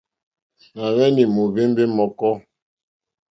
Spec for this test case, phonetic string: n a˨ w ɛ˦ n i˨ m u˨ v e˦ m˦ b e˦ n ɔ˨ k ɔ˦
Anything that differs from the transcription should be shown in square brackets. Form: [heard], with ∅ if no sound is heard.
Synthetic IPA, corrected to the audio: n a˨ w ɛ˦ n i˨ m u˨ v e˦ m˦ b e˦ [m] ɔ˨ k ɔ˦